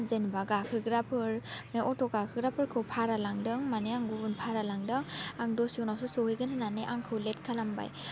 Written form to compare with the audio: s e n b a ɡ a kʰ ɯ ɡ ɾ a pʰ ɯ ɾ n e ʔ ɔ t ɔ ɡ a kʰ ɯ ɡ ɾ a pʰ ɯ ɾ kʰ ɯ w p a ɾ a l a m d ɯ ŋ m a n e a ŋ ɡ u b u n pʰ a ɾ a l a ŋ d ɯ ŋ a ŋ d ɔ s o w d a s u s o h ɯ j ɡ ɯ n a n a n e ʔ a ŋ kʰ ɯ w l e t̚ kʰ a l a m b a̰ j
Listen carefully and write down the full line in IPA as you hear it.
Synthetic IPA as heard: z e n b a ɡ a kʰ ɯ ɡ ɾ a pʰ ɯ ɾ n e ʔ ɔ t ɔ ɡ a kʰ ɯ ɡ ɾ a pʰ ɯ ɾ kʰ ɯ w pʰ a ɾ a l a ŋ d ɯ ŋ m a n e a ŋ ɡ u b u n pʰ a ɾ a l a ŋ d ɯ ŋ a ŋ d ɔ s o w n a s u s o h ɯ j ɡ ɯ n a n a n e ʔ a ŋ kʰ ɯ w l e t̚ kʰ a l a m b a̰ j